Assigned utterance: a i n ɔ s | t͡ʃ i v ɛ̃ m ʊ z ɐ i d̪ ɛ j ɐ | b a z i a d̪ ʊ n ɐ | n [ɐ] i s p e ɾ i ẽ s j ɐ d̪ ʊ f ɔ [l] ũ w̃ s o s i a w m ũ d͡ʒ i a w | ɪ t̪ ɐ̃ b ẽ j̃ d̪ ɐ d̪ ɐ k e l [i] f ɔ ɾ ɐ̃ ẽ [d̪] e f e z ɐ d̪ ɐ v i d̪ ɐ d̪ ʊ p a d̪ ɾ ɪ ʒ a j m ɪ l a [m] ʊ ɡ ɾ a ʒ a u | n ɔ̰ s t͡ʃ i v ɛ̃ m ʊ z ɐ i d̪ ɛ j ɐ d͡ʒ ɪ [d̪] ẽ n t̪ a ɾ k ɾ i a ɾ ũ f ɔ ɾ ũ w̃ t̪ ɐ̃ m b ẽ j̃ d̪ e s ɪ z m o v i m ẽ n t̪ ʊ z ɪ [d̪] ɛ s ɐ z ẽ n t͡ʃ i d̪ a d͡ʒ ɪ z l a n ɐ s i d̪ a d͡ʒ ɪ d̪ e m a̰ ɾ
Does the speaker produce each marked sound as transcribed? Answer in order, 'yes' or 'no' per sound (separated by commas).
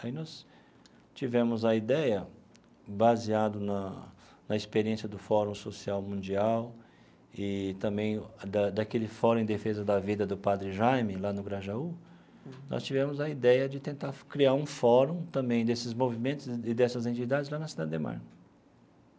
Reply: yes, no, no, yes, no, no, yes